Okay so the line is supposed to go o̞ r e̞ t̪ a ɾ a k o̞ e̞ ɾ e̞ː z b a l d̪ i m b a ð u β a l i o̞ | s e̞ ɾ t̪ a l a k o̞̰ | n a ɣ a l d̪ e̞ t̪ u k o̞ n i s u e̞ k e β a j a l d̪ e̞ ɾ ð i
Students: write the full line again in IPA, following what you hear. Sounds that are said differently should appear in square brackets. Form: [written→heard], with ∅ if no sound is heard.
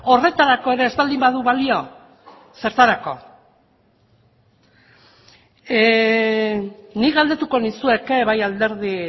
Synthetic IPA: o̞ r e̞ t̪ a ɾ a k o̞ e̞ ɾ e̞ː z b a l d̪ i m b a ð u β a l i o̞ | s e̞ ɾ t̪ a [l→ɾ] a k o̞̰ | n [a→i] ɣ a l d̪ e̞ t̪ u k o̞ n i s u e̞ k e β a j a l d̪ e̞ ɾ ð i